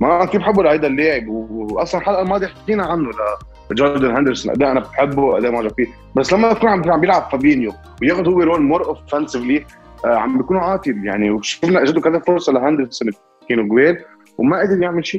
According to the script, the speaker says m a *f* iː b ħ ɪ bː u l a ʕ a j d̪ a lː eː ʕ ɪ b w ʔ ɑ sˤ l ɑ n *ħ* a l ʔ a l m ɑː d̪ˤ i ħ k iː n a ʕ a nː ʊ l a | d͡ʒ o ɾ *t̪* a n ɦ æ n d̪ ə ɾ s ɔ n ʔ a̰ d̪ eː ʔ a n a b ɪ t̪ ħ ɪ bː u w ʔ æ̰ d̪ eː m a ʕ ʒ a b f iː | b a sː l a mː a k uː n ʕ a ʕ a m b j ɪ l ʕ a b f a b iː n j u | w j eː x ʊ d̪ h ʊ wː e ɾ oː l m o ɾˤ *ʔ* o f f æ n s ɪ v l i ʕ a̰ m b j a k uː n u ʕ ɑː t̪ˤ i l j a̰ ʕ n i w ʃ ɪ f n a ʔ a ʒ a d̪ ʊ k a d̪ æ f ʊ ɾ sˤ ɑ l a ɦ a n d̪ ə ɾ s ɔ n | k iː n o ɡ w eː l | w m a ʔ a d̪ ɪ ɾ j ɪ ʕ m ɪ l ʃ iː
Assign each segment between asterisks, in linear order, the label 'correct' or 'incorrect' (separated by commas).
correct, correct, incorrect, correct